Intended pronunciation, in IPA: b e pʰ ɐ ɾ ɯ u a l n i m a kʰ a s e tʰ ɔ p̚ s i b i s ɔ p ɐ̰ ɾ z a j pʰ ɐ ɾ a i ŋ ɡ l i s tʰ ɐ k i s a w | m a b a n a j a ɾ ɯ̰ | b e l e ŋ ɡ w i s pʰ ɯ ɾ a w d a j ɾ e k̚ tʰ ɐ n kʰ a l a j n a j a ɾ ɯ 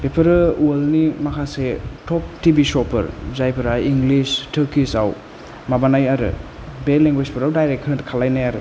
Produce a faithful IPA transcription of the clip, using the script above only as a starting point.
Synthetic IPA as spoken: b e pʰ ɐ ɾ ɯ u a l n i m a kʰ a s e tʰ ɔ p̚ t i b i s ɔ p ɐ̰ ɾ z a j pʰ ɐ ɾ a i ŋ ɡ l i s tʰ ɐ k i s a w | m a b a n a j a ɾ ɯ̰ | b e l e ŋ ɡ w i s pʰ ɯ ɾ a w d a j ɾ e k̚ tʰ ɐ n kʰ a l a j n a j a ɾ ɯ